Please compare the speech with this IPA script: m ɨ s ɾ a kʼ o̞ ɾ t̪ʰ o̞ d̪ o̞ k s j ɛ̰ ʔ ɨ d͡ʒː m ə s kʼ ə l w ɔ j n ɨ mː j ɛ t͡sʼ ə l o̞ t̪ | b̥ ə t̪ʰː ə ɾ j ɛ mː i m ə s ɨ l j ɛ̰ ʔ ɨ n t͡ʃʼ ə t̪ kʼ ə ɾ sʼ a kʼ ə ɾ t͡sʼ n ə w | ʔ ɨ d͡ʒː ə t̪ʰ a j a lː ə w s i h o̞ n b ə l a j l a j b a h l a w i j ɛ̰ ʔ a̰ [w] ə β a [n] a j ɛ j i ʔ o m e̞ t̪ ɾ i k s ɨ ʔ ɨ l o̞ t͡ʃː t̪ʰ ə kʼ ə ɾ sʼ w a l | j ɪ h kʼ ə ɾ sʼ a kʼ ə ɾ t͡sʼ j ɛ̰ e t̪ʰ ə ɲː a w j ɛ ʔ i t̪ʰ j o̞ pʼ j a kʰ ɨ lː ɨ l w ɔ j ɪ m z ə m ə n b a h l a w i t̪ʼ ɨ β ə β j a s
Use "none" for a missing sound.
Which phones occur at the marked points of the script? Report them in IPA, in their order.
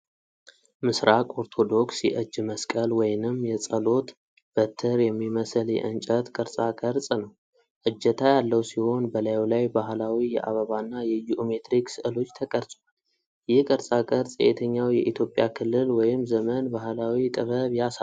β, nː

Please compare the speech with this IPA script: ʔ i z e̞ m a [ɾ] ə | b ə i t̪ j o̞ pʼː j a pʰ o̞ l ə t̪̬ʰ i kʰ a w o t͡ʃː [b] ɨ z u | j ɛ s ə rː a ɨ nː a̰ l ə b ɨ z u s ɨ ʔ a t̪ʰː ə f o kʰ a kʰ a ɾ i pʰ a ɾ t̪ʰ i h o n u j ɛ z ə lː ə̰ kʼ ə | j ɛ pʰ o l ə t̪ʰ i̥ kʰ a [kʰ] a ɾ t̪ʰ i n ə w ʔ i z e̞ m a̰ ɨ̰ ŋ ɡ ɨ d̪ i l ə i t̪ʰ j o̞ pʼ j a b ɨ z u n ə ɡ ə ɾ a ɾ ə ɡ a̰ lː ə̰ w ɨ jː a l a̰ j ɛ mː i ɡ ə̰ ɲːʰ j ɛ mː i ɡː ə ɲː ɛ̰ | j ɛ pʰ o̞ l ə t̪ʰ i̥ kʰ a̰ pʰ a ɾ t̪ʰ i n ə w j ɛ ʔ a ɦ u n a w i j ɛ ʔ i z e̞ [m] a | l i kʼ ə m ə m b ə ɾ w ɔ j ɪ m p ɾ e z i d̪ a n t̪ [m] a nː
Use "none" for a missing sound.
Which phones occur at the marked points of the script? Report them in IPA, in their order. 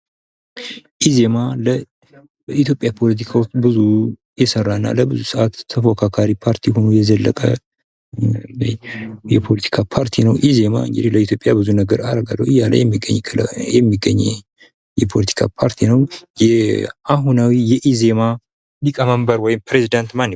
l, b, pʰ, m, m

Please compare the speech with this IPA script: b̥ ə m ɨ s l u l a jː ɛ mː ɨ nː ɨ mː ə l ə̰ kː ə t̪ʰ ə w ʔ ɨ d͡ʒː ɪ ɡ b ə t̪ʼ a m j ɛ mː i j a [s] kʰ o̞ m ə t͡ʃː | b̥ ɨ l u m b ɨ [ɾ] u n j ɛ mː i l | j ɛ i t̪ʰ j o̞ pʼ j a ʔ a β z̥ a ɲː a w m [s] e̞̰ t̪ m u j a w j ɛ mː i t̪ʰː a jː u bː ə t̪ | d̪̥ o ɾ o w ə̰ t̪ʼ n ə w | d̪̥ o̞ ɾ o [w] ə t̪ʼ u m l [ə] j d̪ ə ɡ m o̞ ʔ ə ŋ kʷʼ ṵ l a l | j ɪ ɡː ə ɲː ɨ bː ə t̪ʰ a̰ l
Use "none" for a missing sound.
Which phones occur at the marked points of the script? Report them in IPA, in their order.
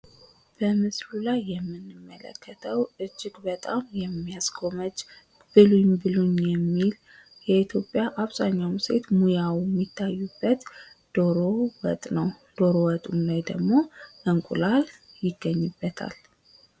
s, l, s, w, a

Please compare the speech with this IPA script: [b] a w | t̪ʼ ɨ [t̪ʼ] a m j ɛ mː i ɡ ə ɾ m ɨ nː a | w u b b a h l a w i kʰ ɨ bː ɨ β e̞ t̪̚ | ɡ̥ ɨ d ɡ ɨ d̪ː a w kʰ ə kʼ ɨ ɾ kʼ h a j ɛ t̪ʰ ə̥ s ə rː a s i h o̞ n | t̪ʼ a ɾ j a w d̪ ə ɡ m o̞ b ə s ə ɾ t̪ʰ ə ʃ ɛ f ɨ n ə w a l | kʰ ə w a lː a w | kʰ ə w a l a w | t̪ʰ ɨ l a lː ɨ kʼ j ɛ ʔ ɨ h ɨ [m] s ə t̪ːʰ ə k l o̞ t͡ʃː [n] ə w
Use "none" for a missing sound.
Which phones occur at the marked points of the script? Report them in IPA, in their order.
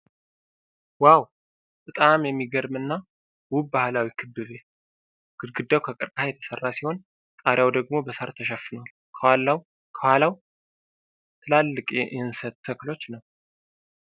w, t̪ʼ, n, n

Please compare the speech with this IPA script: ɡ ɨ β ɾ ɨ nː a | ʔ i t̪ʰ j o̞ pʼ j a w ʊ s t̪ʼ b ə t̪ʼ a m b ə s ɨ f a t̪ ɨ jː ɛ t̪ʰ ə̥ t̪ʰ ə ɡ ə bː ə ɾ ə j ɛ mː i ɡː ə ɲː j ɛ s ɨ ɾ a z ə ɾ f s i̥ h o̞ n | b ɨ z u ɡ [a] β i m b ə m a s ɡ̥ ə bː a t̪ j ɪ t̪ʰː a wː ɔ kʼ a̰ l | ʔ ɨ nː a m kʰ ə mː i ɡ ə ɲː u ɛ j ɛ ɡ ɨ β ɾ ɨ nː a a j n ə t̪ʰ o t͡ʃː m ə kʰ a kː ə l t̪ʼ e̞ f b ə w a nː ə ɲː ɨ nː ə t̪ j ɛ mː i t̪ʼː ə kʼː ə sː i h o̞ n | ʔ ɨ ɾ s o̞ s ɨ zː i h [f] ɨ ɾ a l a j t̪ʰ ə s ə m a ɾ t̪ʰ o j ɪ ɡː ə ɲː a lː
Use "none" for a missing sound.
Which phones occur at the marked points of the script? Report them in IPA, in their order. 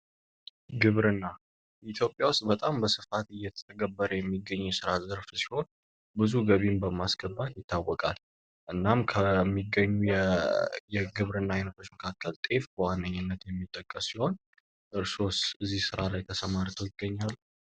ə, s

